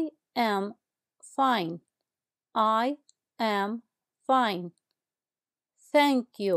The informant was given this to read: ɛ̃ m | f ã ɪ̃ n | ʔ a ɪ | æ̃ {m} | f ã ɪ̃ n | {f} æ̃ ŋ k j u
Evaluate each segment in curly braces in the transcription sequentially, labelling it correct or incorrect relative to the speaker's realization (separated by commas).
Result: correct, incorrect